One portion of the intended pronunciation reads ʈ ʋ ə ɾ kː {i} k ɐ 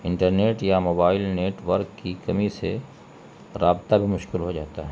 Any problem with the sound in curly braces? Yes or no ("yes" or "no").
no